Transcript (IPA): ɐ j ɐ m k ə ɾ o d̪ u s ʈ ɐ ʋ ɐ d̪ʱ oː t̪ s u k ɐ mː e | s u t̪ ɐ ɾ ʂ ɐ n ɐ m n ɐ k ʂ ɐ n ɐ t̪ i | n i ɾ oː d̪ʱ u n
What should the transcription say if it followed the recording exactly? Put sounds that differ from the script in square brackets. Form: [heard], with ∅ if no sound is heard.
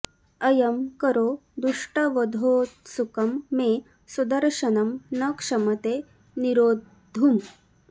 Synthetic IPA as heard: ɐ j ɐ m k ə ɾ o d̪ u [ʂ] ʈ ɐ ʋ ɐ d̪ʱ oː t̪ s u k ɐ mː e | s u [d̪] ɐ ɾ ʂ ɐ n ɐ m n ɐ k ʂ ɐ [m] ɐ t̪ [e] | n i ɾ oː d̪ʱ u [m]